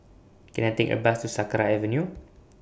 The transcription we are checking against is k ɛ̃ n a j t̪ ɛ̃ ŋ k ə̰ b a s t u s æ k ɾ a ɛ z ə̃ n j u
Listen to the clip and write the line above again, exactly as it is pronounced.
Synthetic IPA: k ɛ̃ n a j t̪ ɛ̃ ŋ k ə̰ b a s t u s a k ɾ a ɛ v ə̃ n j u